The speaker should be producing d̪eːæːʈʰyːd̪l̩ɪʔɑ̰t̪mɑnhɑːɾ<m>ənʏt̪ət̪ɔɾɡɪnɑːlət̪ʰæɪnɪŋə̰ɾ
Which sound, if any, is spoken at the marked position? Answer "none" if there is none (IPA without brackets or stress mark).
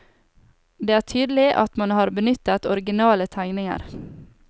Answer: b